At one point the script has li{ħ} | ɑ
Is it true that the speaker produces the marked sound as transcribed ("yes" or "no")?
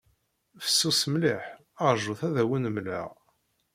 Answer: yes